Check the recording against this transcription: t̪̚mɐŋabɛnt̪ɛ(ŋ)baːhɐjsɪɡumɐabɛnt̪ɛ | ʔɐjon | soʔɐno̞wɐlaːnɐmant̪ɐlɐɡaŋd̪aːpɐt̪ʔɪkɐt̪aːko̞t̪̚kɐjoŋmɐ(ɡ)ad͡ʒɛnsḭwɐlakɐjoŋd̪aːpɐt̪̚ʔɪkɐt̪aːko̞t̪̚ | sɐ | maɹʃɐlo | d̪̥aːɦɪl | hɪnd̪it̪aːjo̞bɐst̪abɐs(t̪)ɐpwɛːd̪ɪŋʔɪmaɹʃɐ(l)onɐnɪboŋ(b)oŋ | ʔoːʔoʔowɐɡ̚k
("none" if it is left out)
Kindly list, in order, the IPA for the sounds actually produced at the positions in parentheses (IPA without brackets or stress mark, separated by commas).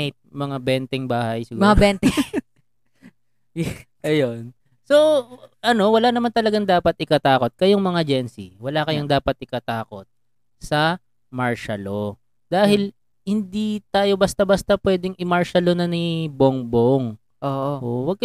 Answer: ŋ, ŋ, t̪, l, b